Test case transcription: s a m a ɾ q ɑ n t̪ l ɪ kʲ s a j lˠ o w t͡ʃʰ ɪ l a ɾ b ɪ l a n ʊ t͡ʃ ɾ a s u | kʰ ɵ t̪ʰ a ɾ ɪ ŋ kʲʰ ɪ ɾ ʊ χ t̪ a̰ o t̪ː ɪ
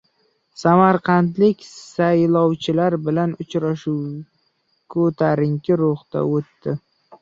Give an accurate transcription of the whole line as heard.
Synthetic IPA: s a m a ɾ q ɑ n t̪ l ɪ kʲ s a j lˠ ɒ w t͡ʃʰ ɪ l a ɾ b ɪ l a n ʊ t͡ʃ ɾ a ʃ u | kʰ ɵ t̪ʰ a ɾ ɪ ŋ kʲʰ ɪ ɾ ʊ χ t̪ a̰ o t̪ː ɪ